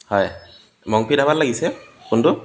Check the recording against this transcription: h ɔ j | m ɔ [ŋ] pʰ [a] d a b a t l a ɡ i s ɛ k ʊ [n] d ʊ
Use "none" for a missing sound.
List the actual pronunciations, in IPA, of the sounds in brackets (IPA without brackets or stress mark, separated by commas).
ŋ, i, n